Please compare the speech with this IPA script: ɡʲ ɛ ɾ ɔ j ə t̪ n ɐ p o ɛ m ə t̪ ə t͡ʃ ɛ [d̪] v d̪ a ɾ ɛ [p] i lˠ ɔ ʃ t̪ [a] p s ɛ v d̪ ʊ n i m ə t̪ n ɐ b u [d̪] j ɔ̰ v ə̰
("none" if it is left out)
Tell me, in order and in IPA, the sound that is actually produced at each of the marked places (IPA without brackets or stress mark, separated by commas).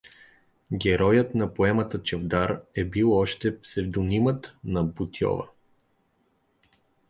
none, b, ɛ, t̪